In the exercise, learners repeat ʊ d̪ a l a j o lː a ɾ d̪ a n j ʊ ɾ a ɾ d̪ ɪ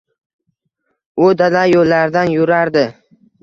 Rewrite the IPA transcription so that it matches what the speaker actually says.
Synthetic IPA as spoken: ʊ d̪ a l a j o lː a ɾ d̪ a n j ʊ ɾ a ɾ d̪ ɪ